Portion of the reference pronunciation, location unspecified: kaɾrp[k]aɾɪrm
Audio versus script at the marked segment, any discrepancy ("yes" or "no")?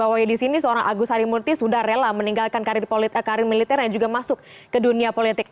no